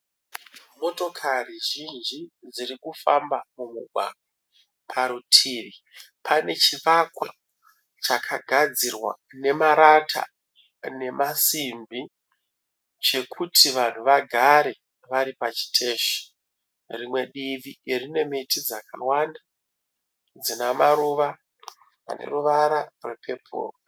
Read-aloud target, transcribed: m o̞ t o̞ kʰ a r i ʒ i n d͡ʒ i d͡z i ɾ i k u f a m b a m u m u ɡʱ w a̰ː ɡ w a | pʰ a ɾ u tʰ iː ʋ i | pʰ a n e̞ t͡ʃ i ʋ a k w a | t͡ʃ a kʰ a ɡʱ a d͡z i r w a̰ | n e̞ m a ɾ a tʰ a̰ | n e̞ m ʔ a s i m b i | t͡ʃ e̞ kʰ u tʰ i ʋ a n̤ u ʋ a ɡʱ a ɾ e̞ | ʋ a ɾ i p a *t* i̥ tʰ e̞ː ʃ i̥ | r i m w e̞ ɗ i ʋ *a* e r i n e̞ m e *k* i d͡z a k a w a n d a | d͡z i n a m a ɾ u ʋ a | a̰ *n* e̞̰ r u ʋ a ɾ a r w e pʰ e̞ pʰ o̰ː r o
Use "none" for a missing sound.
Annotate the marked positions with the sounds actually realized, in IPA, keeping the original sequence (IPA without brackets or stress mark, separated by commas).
t͡ʃ, i, t, n